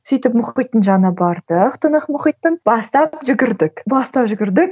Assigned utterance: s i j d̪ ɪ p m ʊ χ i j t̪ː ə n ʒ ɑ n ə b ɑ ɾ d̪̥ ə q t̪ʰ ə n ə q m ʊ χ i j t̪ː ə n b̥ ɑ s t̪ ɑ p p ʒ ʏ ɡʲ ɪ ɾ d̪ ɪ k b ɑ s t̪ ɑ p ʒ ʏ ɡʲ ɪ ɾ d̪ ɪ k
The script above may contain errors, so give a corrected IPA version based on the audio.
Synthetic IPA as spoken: s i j t̪ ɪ p m ʊ χ i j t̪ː ə n ʒ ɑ n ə b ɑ ɾ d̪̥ ə q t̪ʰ ə n ə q m ʊ χ i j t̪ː ə n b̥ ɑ s t̪ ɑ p p ʒ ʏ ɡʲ ɪ ɾ d̪ ɪ k b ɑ s t̪ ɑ p ʒ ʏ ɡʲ ɪ ɾ d̪ ɪ k